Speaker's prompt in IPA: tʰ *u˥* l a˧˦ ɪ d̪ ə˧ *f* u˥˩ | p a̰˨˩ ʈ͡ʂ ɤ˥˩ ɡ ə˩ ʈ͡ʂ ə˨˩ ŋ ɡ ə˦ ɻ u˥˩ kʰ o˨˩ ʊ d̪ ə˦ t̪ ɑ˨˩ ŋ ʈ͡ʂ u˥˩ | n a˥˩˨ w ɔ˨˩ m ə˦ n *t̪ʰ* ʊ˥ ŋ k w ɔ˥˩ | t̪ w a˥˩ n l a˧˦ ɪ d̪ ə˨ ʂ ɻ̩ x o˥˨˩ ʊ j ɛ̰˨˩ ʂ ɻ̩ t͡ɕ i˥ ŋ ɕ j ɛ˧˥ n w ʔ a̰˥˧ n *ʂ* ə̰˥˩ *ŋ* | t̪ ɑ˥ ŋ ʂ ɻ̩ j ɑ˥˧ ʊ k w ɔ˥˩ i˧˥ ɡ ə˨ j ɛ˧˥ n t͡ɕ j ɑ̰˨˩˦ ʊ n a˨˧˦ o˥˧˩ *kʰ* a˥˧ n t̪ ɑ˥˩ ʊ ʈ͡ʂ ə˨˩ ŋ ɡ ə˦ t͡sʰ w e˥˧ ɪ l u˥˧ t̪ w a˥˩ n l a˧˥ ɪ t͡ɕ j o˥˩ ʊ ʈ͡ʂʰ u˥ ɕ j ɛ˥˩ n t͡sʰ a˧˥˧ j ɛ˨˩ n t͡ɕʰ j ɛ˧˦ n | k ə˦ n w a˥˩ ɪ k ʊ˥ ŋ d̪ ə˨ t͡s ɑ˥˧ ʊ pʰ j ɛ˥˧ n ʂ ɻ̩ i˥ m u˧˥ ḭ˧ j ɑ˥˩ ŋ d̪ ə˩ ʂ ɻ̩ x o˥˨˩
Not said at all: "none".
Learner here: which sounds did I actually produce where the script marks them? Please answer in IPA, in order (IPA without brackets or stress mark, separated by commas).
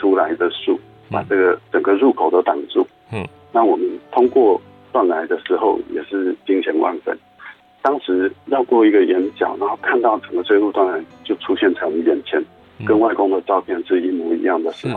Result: u˥, ʂ, t̪ʰ, f, n, kʰ